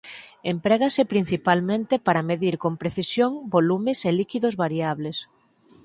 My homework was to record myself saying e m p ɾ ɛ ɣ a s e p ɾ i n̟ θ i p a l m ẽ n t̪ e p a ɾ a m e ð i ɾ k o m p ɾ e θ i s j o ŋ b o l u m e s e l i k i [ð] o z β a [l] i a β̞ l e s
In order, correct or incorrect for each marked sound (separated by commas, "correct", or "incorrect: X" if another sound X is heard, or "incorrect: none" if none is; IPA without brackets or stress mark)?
correct, incorrect: ɾ